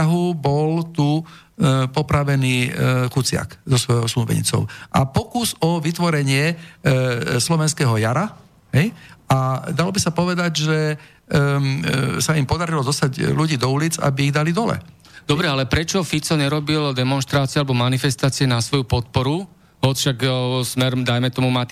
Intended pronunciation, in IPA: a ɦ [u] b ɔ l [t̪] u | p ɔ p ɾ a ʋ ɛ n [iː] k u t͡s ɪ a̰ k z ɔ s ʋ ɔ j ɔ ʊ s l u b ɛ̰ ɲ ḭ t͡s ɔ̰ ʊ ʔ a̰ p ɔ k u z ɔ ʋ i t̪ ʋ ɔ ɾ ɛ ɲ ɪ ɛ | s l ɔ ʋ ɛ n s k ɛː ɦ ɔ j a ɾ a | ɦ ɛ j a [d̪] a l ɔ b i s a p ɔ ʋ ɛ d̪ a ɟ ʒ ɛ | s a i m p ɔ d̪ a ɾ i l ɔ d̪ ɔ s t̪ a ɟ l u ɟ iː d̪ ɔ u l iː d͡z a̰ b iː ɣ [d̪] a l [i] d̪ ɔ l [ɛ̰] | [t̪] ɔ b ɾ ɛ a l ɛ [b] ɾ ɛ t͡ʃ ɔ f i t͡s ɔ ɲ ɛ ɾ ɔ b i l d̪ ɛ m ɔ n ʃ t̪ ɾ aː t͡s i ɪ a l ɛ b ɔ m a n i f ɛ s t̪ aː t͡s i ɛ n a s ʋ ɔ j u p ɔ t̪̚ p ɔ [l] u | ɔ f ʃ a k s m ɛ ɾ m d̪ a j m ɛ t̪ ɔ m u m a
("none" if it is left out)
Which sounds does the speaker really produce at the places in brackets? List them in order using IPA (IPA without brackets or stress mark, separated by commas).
u, t̪, iː, d̪, d̪, i, ɛ̰, d̪, p, ɾ